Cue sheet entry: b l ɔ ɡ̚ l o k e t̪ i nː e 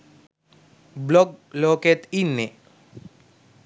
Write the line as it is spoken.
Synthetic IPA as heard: b l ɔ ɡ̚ l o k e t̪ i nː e